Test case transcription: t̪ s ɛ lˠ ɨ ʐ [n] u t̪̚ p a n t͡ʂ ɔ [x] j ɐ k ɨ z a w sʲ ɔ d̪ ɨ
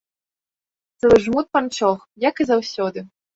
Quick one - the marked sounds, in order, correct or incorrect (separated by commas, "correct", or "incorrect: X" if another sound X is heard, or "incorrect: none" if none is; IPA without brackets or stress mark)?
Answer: incorrect: m, correct